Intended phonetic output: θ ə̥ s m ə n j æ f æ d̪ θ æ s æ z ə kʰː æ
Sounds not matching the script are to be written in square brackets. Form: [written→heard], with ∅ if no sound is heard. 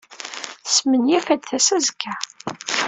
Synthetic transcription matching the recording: θ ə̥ s m ə n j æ f æ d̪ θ æ s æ z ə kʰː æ